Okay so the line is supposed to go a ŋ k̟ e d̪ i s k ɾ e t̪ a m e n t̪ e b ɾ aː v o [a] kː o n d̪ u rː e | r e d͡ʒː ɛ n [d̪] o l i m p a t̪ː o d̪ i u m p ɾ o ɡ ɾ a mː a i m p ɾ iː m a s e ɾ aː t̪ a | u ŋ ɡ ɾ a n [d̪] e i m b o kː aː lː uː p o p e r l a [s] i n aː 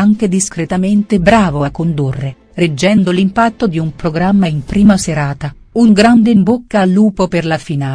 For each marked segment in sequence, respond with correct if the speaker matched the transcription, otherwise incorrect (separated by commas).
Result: correct, correct, correct, incorrect